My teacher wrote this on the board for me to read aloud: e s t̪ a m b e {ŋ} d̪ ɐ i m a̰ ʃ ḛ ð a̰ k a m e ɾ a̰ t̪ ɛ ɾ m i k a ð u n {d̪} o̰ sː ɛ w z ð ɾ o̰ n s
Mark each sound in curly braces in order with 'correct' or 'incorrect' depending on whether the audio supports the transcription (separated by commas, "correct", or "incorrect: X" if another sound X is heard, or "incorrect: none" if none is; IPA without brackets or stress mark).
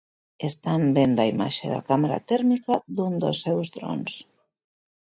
incorrect: n, correct